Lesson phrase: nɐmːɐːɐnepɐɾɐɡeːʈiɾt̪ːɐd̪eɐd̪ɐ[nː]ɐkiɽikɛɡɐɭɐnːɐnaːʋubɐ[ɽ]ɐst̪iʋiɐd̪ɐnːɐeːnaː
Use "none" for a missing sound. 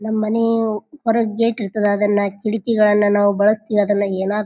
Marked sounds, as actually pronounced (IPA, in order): nː, ɭ

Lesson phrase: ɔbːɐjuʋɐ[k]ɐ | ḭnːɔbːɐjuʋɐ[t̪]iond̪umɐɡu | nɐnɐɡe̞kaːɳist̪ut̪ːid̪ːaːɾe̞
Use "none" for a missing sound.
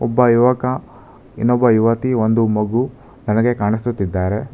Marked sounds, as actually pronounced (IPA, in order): k, t̪

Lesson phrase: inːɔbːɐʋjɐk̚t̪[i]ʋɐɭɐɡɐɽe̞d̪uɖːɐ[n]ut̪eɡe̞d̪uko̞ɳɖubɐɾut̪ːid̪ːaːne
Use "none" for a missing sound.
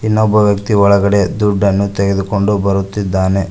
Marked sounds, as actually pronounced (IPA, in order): i, nː

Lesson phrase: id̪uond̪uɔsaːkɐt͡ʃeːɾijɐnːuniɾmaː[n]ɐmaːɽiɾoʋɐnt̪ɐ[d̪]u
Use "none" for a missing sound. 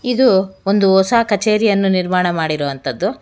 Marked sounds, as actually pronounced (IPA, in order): ɳ, d̪ː

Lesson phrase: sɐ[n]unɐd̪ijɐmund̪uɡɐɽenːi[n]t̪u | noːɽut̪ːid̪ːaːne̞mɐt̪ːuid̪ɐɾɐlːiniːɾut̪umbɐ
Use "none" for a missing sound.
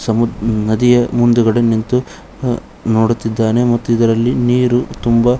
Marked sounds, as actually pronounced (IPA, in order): m, n

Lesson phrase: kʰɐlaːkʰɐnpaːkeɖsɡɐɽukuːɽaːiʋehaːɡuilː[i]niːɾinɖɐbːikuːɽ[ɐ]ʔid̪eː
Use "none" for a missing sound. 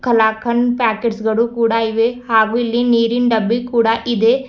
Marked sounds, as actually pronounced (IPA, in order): i, a

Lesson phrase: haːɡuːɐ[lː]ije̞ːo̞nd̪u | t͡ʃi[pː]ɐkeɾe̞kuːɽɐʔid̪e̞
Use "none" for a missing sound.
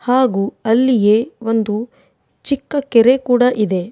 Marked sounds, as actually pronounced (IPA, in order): lː, kː

